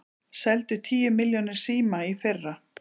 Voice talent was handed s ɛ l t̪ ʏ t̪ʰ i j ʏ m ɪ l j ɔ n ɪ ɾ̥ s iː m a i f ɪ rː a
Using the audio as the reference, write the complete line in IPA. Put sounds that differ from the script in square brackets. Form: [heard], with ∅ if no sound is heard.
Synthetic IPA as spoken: s ɛ l t̪ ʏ t̪ʰ [iː] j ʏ m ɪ l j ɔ n ɪ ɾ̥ s iː m a i f ɪ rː a